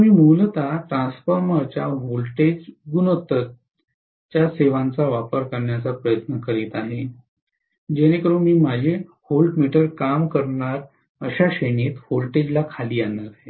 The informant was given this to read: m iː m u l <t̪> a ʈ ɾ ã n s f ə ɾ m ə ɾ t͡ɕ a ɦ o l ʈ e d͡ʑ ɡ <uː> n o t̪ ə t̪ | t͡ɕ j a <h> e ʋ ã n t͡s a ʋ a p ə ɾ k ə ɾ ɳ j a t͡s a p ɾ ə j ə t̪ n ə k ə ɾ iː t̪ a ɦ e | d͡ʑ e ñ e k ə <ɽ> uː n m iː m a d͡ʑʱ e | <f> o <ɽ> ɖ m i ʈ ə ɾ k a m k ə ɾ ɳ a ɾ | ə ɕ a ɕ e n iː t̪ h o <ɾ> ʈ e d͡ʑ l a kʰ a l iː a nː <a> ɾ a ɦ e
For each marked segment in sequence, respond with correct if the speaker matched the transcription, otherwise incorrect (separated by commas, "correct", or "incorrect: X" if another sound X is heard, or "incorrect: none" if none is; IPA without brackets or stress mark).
correct, incorrect: u, incorrect: s, incorrect: ɾ, incorrect: h, incorrect: l, incorrect: l, correct